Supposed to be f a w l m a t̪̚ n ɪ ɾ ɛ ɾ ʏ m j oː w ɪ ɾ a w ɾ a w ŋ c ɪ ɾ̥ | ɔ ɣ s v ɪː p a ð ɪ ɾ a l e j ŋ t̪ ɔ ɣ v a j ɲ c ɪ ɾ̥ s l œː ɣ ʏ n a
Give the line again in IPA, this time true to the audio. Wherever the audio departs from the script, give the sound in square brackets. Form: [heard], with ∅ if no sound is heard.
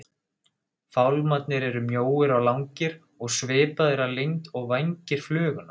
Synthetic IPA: f a w l m a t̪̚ n ɪ ɾ ɛ ɾ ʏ m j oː w ɪ ɾ a w [l] a w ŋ c ɪ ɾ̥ | ɔ ɣ s v ɪː p a ð ɪ ɾ a l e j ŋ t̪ ɔ ɣ v a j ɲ c ɪ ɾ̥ [f] l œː ɣ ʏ n a